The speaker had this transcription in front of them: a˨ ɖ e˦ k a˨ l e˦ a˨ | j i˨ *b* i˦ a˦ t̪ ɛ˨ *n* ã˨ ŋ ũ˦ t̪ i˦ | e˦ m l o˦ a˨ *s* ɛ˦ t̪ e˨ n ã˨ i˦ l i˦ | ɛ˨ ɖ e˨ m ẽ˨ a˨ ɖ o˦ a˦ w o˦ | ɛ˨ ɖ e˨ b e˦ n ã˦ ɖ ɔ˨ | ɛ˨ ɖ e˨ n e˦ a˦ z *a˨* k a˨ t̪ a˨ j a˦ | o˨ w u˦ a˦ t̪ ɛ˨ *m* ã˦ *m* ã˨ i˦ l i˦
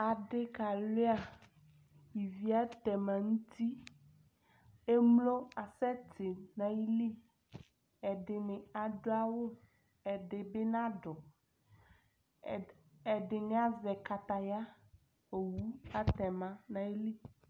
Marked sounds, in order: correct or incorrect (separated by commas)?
incorrect, incorrect, correct, incorrect, correct, incorrect